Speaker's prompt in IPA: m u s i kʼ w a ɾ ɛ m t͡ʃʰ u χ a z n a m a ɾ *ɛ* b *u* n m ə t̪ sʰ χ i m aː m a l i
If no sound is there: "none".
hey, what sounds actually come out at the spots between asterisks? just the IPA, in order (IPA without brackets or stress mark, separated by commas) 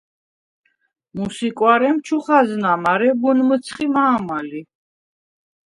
ɛ, u